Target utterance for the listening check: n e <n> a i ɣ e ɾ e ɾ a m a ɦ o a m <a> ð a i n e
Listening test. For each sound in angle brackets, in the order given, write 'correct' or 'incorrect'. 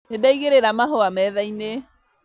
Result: incorrect, incorrect

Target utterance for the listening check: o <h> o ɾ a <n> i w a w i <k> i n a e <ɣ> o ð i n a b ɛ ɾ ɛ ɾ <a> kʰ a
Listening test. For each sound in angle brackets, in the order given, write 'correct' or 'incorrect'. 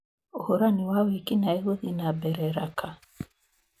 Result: correct, correct, correct, correct, correct

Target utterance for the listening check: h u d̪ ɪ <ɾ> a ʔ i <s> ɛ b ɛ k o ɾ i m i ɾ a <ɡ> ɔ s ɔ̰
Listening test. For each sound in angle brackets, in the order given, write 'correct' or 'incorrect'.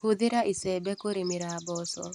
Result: correct, correct, incorrect

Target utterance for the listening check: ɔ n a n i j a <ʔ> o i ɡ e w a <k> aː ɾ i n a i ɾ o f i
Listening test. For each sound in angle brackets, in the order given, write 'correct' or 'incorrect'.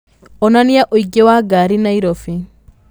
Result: correct, incorrect

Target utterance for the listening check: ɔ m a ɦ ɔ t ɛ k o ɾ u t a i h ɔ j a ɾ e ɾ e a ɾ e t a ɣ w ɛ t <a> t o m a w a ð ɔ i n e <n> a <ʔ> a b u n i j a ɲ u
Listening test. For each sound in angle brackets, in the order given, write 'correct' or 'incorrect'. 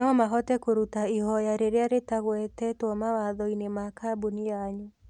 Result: incorrect, incorrect, incorrect

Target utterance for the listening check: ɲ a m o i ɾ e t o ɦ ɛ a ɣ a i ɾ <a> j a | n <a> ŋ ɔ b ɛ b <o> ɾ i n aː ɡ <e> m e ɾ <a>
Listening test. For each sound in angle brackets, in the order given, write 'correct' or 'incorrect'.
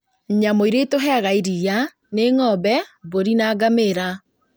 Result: incorrect, incorrect, correct, incorrect, correct

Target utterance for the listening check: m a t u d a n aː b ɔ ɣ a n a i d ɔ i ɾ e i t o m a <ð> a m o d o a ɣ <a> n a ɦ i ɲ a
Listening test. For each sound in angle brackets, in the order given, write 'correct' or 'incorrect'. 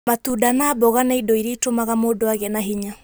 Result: incorrect, incorrect

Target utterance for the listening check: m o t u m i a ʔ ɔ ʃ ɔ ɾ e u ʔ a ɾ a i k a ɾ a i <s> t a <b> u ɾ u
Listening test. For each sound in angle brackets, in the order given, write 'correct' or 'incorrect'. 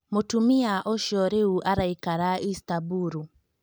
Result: correct, correct

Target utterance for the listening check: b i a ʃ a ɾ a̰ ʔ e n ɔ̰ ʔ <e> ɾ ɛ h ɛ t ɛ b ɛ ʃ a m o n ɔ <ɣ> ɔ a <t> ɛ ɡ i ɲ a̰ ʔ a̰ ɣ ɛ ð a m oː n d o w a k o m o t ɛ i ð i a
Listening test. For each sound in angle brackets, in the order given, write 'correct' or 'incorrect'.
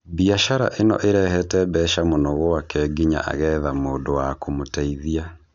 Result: correct, correct, incorrect

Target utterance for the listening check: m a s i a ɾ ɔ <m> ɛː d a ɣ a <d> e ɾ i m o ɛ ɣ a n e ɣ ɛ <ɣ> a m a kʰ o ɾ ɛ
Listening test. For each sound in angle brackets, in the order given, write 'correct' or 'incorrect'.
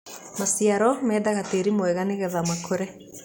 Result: correct, incorrect, incorrect

